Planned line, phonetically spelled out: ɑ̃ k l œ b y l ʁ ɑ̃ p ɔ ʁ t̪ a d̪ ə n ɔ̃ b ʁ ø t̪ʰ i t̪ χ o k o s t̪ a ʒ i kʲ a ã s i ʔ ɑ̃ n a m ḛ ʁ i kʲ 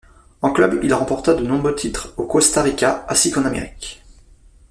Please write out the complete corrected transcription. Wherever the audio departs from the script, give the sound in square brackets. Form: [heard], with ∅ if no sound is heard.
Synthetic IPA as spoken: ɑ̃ k l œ b [i] l ʁ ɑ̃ p ɔ ʁ t̪ a d̪ ə n ɔ̃ b ʁ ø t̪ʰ i t̪ χ o k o s t̪ a [ʁ] i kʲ a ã s i [k] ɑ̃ n a m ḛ ʁ i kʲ